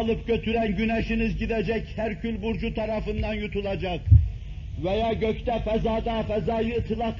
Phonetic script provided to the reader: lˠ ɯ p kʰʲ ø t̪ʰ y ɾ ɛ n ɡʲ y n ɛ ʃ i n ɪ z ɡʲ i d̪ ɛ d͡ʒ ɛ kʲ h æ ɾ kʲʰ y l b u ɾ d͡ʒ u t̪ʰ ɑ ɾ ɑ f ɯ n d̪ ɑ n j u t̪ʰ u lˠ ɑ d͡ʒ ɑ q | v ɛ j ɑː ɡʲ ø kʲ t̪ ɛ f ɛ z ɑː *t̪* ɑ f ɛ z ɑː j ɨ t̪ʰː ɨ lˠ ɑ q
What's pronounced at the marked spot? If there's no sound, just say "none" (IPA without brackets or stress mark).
d̪